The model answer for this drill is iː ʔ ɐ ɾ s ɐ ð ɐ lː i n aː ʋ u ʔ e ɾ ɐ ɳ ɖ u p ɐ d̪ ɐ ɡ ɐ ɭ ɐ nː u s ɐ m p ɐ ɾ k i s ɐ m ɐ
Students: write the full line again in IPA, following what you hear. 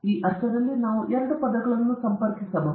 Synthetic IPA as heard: iː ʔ ɐ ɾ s ɐ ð ɐ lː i n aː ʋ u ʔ e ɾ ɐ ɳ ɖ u p ɐ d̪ ɐ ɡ ɐ ɭ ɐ nː u s ɐ m p ɐ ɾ k i s ɐ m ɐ